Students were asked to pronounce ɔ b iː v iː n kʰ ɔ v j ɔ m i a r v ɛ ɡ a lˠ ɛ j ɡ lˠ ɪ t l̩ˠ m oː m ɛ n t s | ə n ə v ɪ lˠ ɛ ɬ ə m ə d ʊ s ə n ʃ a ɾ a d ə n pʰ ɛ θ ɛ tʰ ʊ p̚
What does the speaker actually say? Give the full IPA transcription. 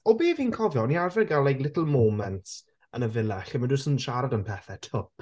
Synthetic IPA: ɔ b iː v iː n kʰ ɔ v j ɔ n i a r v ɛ ɡ a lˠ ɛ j ɡ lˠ ɪ t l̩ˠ m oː m ɛ n t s | ə n ə v ɪ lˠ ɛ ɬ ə m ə d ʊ s ə n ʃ a ɾ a d ə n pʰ ɛ θ ɛ tʰ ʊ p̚